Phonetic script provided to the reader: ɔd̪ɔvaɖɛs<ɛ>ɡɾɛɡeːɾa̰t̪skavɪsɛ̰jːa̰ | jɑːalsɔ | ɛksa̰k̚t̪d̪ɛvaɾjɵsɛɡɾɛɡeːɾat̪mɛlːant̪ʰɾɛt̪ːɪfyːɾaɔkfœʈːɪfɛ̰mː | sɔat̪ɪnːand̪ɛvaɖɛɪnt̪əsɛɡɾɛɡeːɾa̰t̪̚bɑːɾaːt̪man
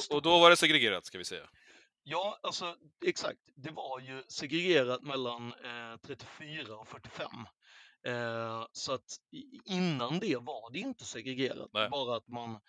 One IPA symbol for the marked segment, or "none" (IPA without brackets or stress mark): ɛ